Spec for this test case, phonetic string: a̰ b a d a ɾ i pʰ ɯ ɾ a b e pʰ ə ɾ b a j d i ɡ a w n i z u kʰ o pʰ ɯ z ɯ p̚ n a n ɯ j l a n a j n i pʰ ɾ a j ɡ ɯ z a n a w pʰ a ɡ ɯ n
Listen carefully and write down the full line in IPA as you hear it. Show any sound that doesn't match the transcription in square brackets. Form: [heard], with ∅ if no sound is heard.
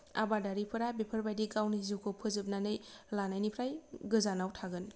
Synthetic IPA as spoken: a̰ b a d a ɾ i pʰ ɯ ɾ a b e pʰ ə ɾ b a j d i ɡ a w n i z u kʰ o pʰ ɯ z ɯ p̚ n a n ɯ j l a n a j n i pʰ ɾ a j ɡ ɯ z a n a w [tʰ] a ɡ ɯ n